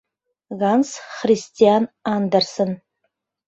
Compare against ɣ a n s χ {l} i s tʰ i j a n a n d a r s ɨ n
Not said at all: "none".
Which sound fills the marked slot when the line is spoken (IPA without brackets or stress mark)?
r